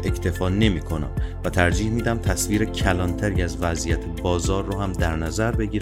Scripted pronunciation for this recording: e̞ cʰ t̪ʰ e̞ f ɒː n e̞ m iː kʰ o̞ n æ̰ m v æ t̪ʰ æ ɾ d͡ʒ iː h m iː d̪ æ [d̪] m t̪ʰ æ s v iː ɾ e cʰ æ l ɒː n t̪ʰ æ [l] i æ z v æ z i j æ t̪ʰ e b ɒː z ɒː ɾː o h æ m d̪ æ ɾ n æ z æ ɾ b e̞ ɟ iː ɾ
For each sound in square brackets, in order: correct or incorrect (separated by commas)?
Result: incorrect, incorrect